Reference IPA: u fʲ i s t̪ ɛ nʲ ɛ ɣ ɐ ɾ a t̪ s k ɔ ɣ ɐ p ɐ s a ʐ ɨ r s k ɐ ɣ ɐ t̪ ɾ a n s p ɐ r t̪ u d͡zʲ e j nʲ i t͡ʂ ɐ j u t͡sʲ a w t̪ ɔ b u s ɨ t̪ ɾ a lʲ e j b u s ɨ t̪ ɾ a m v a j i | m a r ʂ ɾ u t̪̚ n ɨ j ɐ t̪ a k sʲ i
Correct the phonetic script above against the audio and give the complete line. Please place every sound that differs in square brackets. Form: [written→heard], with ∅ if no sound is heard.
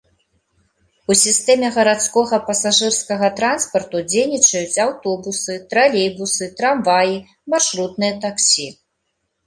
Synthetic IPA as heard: u [fʲ→sʲ] i s t̪ ɛ [nʲ→mʲ] ɛ ɣ ɐ ɾ a t̪ s k ɔ ɣ ɐ p ɐ s a ʐ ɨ r s k ɐ ɣ ɐ t̪ ɾ a n s p ɐ r t̪ u d͡zʲ e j nʲ i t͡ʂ ɐ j u t͡sʲ a w t̪ ɔ b u s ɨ t̪ ɾ a lʲ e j b u s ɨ t̪ ɾ a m v a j i | m a r ʂ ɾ u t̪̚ n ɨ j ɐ t̪ a k sʲ i